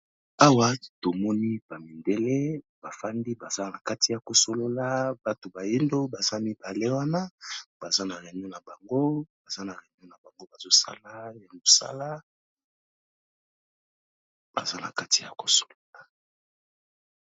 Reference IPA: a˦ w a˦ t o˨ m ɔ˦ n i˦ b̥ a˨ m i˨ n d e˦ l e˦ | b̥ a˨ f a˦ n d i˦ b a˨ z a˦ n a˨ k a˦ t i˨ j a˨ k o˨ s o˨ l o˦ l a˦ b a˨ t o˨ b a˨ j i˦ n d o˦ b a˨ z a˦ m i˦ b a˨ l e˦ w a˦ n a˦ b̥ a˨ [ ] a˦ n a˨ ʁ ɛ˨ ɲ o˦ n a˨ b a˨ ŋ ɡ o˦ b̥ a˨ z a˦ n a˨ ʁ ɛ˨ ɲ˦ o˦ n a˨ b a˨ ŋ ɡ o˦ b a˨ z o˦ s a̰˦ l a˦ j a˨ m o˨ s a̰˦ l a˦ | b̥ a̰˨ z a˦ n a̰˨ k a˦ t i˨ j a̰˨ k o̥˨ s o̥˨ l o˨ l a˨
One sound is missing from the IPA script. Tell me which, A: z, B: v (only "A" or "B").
A